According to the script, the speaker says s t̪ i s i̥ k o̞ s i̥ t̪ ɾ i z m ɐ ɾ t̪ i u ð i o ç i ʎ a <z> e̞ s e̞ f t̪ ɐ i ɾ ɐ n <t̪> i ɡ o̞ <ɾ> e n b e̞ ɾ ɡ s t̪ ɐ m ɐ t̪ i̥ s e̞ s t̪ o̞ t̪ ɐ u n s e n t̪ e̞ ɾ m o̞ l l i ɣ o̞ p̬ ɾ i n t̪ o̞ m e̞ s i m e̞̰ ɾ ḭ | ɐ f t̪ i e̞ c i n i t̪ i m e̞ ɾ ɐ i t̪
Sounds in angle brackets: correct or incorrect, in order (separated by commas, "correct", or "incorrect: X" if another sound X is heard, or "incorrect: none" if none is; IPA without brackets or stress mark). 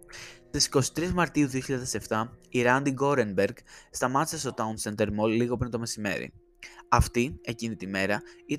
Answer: incorrect: ð, incorrect: d̪, correct